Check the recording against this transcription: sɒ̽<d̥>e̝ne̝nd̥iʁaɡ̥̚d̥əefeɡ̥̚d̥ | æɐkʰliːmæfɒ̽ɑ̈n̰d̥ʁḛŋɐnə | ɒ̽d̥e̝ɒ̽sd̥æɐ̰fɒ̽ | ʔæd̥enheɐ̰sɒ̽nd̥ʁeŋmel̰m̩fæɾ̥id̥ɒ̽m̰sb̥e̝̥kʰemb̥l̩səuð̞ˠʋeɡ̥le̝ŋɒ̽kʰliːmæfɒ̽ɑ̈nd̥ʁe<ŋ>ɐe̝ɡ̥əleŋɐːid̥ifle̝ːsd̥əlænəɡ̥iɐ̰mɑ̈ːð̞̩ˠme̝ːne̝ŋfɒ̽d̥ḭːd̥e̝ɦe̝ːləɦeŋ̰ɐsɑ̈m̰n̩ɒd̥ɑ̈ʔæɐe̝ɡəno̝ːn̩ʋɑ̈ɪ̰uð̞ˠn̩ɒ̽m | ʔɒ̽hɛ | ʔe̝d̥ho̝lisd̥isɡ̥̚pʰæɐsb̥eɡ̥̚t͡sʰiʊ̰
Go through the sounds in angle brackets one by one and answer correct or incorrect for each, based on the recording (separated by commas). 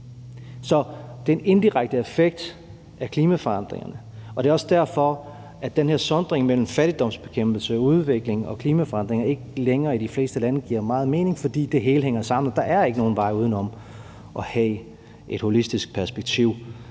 correct, correct